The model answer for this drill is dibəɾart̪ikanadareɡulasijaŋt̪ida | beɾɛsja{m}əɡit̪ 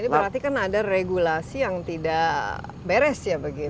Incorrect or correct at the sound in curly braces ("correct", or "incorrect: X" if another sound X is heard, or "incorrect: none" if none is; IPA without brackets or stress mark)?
incorrect: b